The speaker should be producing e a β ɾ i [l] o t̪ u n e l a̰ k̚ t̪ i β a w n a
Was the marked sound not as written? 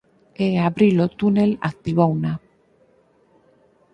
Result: no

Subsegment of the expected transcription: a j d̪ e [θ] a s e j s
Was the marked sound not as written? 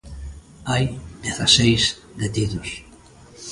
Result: no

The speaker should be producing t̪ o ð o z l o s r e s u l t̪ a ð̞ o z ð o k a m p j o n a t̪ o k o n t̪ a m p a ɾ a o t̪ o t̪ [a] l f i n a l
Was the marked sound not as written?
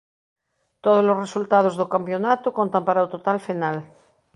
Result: no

